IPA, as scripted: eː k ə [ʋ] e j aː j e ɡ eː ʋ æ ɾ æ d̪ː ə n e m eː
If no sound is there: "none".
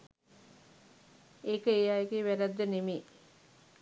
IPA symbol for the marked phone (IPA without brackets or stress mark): none